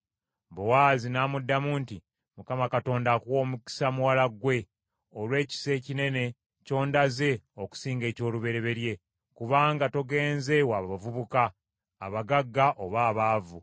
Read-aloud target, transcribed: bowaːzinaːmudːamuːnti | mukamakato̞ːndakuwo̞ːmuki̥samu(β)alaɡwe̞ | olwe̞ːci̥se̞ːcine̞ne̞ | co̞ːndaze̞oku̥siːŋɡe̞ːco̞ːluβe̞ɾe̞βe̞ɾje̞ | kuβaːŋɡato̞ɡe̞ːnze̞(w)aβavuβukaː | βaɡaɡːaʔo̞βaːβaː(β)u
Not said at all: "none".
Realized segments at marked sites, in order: w, w, v

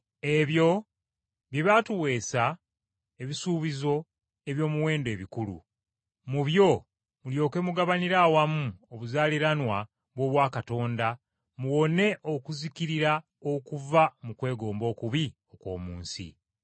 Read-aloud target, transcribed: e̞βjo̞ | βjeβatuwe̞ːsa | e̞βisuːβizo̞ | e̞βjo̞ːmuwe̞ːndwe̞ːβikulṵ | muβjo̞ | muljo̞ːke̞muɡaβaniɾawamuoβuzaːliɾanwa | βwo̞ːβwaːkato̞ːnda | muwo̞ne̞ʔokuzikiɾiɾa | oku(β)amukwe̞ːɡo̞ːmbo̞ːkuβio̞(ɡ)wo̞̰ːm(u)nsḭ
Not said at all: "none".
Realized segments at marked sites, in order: v, k, uː

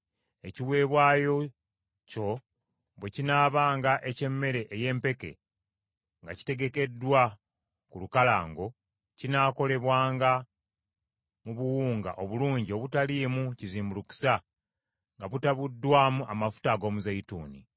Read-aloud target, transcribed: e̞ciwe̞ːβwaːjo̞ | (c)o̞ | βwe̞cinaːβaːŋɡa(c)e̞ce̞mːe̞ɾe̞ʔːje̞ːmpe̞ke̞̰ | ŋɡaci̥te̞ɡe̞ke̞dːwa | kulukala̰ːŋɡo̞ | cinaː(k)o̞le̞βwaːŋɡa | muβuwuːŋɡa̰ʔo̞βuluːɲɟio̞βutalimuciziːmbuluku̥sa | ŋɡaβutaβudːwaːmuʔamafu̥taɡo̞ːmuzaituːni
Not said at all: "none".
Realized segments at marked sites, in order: c, ʔ, k

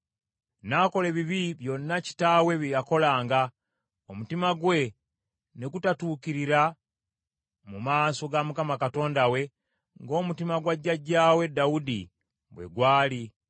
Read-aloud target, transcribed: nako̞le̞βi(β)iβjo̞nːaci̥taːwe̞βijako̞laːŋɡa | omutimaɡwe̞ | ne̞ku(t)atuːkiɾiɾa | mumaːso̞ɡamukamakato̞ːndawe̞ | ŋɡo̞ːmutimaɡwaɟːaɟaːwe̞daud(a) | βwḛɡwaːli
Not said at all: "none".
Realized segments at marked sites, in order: β, t, i

